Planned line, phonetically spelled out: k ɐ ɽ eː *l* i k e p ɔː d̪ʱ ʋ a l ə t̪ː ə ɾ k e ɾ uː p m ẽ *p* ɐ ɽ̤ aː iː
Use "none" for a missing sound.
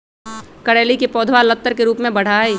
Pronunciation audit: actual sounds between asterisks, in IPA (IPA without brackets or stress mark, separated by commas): l, b